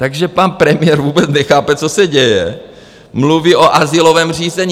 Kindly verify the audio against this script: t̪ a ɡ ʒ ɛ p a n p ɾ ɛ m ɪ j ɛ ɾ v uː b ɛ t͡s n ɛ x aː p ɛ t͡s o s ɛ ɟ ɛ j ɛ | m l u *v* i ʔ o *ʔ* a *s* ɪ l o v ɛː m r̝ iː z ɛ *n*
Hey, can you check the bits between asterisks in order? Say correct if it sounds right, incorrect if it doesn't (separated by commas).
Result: correct, correct, incorrect, incorrect